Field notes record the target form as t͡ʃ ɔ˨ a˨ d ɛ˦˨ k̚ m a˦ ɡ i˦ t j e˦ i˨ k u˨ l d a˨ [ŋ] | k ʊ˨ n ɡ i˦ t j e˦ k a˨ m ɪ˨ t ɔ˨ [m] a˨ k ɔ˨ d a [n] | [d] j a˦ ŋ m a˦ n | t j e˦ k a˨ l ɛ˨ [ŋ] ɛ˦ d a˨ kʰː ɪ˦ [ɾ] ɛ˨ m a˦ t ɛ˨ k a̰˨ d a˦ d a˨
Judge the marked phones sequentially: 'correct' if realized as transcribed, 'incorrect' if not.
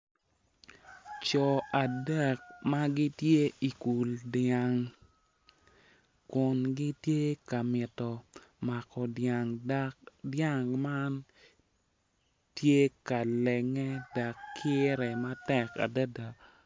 correct, correct, incorrect: ŋ, correct, correct, correct

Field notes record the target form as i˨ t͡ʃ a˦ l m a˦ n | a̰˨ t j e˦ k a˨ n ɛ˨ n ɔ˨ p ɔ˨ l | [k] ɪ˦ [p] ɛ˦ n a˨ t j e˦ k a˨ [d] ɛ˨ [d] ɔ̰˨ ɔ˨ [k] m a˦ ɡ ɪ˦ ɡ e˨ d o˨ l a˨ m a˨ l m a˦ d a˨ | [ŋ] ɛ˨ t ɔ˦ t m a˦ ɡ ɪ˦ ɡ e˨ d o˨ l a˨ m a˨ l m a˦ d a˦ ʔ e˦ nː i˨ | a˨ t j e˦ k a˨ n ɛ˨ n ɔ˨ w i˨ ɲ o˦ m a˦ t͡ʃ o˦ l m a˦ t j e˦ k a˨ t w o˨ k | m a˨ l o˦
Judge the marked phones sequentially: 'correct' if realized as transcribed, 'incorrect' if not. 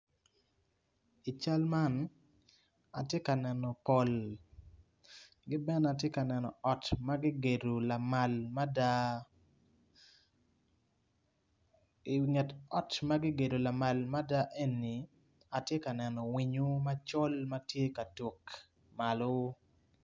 incorrect: ɡ, incorrect: b, incorrect: n, incorrect: n, incorrect: t, correct

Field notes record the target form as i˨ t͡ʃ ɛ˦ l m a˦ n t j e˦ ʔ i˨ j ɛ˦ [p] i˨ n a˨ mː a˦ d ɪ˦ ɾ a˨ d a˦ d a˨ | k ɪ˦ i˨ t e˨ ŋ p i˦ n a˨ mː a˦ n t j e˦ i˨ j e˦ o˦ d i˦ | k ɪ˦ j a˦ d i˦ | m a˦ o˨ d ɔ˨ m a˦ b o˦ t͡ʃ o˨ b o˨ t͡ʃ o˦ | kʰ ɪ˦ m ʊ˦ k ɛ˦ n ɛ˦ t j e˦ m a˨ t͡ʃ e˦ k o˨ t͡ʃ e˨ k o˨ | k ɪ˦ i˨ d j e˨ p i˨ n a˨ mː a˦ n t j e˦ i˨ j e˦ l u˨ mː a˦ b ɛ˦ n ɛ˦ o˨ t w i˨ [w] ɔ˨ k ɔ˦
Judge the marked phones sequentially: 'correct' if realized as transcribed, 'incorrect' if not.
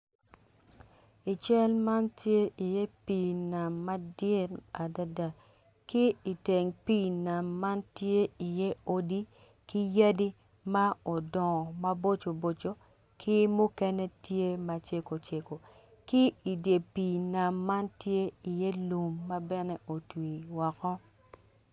correct, correct

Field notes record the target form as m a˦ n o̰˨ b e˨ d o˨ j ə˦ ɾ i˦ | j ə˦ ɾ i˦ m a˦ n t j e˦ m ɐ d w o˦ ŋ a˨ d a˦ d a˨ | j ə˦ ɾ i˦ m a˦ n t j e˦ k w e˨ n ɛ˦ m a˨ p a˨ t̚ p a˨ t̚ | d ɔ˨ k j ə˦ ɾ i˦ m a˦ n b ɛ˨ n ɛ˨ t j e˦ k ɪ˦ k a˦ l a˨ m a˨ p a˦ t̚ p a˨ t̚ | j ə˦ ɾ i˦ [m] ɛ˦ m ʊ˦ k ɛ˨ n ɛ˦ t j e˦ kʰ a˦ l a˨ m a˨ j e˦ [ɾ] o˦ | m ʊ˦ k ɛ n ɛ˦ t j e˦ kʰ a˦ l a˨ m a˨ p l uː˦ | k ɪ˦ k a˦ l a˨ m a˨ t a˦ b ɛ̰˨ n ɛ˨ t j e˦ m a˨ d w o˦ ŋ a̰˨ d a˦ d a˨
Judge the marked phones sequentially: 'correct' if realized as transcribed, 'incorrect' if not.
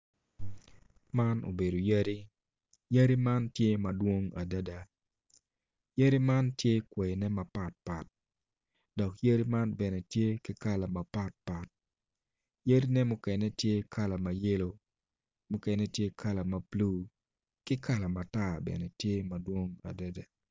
incorrect: n, incorrect: l

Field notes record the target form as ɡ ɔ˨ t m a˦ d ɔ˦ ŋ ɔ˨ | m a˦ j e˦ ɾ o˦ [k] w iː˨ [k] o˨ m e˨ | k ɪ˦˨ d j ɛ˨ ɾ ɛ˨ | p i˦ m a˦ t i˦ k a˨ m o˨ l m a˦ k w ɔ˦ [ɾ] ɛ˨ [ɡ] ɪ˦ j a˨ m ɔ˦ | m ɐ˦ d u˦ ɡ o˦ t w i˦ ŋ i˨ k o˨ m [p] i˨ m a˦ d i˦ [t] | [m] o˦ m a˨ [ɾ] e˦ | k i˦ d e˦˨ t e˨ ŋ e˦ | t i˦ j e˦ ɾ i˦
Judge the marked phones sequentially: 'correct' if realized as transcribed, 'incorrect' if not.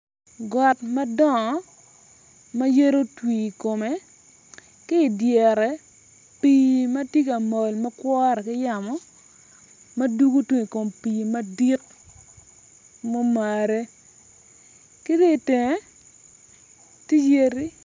incorrect: t, correct, correct, incorrect: k, correct, incorrect: k, correct, correct

